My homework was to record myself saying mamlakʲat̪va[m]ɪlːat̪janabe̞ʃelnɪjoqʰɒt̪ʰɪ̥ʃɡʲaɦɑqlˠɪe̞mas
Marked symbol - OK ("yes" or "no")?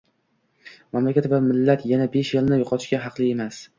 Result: yes